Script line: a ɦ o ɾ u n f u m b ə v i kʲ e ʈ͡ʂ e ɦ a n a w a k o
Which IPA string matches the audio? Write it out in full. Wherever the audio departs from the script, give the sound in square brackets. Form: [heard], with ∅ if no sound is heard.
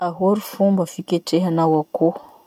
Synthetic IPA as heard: a ɦ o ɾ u [∅] f u m b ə [f] i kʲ e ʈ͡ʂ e ɦ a n a w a k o